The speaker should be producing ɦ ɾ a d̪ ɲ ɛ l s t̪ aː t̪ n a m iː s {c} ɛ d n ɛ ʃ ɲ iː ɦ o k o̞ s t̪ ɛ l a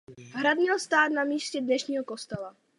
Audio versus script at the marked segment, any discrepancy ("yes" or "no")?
no